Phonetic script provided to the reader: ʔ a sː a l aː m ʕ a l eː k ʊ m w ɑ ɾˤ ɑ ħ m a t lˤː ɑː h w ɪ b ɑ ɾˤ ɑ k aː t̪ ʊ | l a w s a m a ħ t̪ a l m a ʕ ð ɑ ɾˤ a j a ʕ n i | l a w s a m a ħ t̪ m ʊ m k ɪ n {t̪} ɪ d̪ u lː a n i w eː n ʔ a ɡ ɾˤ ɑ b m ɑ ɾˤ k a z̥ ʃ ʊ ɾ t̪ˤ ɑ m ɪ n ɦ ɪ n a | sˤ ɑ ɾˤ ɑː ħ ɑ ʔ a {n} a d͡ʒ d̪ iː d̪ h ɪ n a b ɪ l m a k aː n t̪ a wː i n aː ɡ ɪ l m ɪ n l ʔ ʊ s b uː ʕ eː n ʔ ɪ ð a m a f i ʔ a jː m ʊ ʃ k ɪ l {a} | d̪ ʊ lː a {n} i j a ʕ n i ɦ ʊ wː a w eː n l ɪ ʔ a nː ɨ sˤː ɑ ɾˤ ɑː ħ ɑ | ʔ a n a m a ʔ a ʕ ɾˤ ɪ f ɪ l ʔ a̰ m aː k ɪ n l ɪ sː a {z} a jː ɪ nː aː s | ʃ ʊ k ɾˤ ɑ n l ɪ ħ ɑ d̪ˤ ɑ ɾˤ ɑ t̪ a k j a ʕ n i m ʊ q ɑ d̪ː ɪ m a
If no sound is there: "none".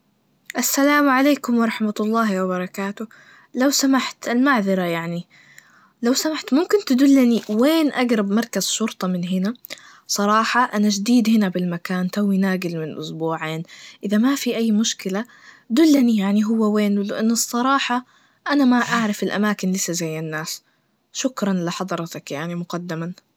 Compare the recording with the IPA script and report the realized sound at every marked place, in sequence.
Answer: t̪, n, a, n, z

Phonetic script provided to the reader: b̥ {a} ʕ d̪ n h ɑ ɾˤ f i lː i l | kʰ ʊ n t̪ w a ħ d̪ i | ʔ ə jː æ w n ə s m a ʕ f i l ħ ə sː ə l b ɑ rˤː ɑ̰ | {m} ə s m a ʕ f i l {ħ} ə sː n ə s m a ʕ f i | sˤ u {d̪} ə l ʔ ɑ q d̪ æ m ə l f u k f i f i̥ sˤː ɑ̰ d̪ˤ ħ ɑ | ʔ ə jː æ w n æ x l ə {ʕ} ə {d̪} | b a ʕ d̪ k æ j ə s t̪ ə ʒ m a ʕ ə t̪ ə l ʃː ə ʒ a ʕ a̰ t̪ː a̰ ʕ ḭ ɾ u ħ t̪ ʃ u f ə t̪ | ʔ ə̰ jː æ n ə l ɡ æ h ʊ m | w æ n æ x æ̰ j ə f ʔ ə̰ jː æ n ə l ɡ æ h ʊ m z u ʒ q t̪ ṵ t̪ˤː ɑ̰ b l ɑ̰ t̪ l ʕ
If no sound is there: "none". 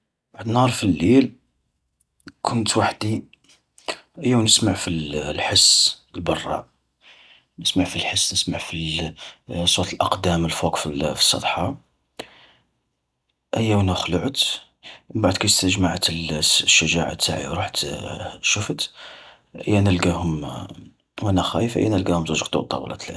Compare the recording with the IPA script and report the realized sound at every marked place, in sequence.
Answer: a, n, ħ, t̪, ʕ, t̪

